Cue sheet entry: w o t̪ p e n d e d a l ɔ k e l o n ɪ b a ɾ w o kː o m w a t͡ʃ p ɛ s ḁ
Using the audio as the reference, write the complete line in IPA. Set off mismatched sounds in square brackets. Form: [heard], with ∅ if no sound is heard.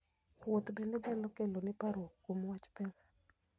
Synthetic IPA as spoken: w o t̪ [b] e n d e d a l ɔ k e l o n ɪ [p] a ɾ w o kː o m w a t͡ʃ p ɛ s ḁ